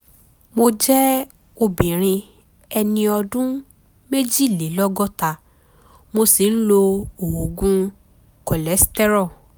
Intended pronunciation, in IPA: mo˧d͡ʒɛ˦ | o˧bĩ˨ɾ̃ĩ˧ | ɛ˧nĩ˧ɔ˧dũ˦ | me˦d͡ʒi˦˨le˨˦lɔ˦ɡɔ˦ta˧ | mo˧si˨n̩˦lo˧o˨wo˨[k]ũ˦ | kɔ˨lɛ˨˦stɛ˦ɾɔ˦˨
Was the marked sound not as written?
yes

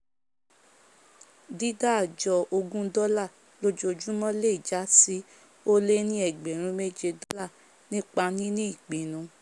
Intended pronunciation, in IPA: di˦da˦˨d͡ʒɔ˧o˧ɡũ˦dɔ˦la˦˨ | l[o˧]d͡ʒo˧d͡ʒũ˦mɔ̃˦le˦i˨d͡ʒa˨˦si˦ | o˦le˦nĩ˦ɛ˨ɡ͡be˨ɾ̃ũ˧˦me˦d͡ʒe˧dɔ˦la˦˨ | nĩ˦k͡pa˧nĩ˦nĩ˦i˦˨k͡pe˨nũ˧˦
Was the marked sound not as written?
no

